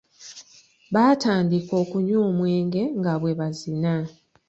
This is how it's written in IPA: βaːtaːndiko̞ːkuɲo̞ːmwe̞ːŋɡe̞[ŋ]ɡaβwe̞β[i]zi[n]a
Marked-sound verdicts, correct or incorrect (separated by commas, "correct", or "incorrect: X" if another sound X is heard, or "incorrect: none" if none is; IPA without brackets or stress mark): correct, incorrect: a, correct